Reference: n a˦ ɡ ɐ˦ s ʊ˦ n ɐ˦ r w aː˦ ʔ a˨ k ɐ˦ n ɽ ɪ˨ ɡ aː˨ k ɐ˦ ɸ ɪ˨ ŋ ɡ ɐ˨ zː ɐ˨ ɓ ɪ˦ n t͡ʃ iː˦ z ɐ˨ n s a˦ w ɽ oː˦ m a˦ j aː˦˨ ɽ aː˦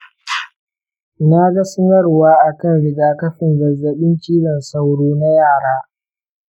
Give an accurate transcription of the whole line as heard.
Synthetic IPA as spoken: n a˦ ɡ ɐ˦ s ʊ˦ n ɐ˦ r w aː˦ ʔ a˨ k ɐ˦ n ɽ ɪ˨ ɡ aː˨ k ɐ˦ ɸ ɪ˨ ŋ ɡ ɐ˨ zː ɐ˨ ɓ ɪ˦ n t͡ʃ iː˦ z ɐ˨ n s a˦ w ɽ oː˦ n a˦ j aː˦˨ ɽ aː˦